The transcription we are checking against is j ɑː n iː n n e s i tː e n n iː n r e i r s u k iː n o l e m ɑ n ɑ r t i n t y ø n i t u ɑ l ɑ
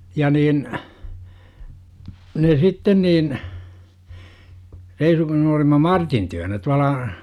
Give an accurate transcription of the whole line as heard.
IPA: j ɑ n iː n n e s i tː e n n iː n r e i s u k i n o l i m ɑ m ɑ r t i n t y ø n æ t u ɑ l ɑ